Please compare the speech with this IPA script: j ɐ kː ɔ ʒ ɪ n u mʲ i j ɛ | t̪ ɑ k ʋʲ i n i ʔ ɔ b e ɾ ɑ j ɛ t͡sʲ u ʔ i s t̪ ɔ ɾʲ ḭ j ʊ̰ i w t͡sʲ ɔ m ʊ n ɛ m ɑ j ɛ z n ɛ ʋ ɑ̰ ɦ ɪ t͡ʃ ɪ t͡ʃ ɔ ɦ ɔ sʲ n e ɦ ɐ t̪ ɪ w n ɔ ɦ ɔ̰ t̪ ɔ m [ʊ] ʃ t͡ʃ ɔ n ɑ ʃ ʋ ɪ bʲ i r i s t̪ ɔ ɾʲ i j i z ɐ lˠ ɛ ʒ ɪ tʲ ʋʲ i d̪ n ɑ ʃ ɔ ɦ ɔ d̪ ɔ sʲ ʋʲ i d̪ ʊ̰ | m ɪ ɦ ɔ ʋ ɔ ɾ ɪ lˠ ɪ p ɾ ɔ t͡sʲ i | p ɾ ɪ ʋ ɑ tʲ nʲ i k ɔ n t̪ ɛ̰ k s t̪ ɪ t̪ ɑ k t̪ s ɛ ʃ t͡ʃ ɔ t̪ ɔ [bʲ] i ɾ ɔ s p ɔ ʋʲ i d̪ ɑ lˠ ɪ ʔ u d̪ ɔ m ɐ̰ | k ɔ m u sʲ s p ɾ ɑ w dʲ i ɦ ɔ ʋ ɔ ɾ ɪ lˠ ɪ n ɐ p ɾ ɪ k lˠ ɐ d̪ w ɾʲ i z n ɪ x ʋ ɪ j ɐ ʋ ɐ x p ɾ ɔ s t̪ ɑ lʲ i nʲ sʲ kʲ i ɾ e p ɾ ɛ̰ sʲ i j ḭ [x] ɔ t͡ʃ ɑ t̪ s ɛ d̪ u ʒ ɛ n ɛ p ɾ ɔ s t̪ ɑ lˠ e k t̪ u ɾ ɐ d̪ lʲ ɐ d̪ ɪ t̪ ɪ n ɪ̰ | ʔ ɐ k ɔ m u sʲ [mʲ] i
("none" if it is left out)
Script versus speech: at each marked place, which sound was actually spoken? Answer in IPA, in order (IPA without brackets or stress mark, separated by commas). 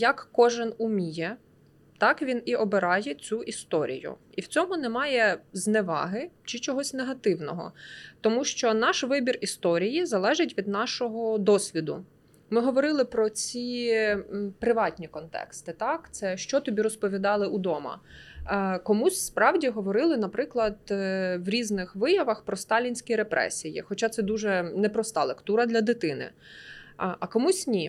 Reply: u, bʲ, x, nʲ